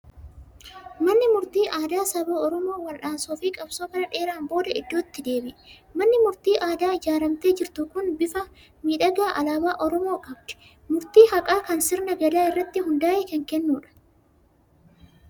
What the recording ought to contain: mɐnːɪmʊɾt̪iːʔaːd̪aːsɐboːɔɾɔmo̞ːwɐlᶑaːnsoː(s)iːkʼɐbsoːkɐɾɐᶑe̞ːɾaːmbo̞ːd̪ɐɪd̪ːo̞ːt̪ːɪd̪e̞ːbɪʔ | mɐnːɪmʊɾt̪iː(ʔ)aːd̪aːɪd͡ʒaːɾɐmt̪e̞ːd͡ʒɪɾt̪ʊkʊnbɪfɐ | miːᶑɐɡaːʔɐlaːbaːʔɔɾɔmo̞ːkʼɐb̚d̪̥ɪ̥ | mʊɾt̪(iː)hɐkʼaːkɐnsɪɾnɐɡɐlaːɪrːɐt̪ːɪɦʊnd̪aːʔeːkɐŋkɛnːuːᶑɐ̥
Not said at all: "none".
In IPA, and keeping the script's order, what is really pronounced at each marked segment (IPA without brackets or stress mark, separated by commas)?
f, ʔ, iː